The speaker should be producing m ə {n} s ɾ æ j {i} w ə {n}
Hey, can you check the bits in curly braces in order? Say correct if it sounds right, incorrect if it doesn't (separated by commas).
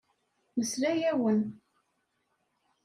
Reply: incorrect, incorrect, correct